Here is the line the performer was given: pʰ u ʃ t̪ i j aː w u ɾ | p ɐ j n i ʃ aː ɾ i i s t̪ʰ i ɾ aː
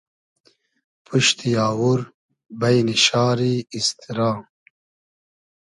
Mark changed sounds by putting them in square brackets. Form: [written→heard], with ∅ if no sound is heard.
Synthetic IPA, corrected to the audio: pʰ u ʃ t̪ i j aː w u ɾ | [p→b] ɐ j n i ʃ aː ɾ i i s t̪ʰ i ɾ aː